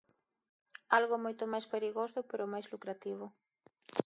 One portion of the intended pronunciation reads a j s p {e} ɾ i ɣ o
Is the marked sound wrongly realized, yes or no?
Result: no